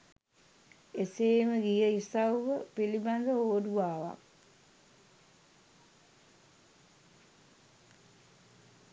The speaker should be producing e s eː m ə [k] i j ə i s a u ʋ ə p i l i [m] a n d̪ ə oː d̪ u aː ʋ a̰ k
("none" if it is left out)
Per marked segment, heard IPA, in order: ɡ, b

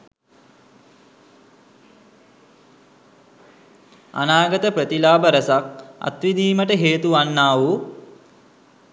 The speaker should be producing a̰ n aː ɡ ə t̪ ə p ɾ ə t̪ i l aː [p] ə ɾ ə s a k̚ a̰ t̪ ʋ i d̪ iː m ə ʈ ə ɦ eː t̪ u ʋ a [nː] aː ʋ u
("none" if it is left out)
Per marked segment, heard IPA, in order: b, nː

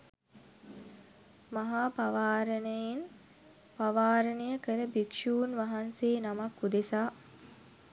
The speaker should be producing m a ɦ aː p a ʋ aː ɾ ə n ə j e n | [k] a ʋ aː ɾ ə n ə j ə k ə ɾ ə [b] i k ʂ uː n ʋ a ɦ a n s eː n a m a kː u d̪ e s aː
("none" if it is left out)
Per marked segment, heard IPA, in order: p, b

